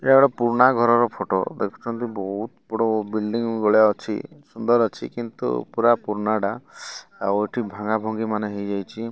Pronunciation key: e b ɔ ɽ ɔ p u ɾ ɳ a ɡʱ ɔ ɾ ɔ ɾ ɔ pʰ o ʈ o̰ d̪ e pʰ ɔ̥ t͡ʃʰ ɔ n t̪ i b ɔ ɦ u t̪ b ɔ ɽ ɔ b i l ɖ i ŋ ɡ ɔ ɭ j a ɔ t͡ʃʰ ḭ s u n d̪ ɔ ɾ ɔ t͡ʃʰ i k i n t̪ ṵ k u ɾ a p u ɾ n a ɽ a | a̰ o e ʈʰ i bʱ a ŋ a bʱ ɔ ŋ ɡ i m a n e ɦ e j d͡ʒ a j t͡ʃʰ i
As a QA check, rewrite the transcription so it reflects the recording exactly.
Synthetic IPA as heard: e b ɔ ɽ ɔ p u ɾ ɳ a ɡʱ ɔ ɾ ɔ ɾ ɔ pʰ o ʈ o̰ d̪ e kʰ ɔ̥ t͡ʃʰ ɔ n t̪ i b ɔ ɦ u t̪ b ɔ ɽ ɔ b i l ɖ i ŋ ɡ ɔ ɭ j a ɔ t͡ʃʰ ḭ s u n d̪ ɔ ɾ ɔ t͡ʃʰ i k i n t̪ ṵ p u ɾ a p u ɾ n a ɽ a | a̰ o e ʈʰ i bʱ a ŋ a bʱ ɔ ŋ ɡ i m a n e ɦ e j d͡ʒ a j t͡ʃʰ i